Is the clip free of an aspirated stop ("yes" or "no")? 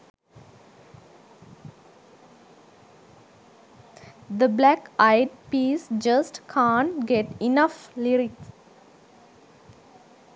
no